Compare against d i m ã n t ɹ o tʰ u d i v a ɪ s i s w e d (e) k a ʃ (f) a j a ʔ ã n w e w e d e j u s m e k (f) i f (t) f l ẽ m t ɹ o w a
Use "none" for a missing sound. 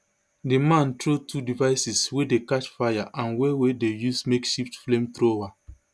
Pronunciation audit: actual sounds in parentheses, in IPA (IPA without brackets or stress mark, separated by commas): e, f, ʃ, t